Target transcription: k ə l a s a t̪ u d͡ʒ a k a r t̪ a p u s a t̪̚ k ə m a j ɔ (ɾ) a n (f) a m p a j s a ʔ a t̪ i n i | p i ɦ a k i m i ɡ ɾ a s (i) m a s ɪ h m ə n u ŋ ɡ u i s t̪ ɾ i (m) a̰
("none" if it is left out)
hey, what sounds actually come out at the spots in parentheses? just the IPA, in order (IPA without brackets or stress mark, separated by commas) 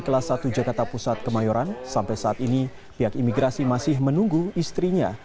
ɾ, s, i, ɲ